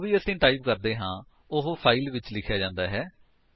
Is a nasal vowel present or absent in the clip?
present